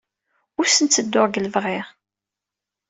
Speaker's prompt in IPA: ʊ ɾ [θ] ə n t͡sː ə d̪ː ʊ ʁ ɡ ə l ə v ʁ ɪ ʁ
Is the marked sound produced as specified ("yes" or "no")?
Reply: no